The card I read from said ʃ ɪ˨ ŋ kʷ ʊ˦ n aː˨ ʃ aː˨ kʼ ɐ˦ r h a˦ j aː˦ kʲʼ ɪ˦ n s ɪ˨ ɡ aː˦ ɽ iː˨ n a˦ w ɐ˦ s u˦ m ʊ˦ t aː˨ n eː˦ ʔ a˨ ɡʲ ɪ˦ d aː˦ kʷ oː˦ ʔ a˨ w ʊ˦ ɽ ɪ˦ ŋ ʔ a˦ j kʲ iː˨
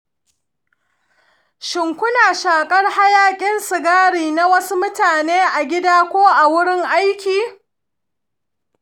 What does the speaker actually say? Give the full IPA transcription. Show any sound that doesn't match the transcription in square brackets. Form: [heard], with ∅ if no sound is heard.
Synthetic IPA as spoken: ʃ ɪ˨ ŋ kʷ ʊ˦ n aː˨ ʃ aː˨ kʼ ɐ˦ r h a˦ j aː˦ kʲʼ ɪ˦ n s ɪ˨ ɡ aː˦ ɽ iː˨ n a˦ w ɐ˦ s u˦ m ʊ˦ t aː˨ n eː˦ ʔ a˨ ɡʲ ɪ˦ d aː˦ kʷ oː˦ ʔ a˨ w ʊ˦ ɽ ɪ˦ ŋ ʔ a˦ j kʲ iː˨